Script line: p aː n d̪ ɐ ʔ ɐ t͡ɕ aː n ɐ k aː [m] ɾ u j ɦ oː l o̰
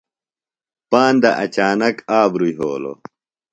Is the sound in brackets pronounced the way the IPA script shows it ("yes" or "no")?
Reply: no